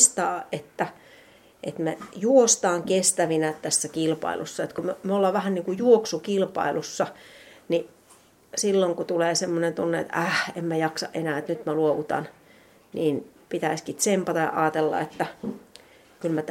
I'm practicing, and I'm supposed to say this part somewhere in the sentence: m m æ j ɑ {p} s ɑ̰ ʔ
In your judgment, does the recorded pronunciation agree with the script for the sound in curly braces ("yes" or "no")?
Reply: no